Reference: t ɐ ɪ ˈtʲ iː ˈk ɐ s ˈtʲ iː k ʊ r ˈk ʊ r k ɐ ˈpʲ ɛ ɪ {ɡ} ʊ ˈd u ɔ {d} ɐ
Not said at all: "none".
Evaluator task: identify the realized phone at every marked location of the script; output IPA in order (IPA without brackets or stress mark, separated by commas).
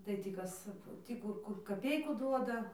k, d